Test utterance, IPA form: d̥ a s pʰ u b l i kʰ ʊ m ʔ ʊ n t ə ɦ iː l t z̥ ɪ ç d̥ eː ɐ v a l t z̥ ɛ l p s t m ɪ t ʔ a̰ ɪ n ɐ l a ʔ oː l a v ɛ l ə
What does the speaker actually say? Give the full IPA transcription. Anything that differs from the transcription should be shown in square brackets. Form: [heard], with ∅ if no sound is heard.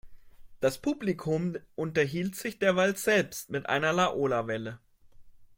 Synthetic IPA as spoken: d̥ a s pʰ u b l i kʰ ʊ m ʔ ʊ n t [ɐ] ɦ iː l t z̥ ɪ ç d̥ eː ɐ v a l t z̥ ɛ l p s t m ɪ t ʔ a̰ ɪ n ɐ l a ʔ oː l a v ɛ l ə